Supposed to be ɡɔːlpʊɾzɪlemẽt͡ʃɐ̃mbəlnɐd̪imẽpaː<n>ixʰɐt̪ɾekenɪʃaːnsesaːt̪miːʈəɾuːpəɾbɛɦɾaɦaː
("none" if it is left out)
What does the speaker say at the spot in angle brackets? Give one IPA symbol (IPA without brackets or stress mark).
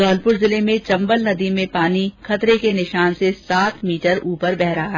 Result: n